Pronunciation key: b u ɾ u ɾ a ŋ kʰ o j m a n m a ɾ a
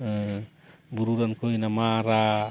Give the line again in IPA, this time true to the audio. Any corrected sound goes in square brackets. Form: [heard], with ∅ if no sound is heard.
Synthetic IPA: b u ɾ u ɾ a [n] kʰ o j [n] a [∅] m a ɾ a